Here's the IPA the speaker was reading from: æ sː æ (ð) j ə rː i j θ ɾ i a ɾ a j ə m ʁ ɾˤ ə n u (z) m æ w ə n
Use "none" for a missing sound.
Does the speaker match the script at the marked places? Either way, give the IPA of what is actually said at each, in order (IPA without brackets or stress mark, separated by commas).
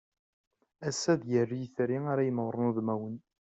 ð, ð